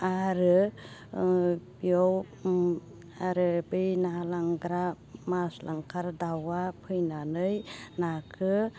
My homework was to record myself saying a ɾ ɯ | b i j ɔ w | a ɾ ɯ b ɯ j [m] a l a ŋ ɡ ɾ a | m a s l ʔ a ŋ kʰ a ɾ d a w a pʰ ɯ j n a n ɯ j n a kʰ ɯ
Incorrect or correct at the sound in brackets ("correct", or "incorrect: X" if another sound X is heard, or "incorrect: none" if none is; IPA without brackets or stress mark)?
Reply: incorrect: n